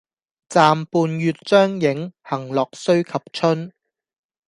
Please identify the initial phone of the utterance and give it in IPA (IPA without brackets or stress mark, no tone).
t͡s